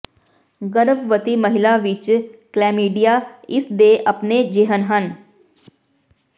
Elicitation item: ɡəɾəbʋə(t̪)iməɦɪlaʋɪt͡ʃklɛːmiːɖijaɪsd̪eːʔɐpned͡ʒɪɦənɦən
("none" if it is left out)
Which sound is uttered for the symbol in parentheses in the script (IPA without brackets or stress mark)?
t̪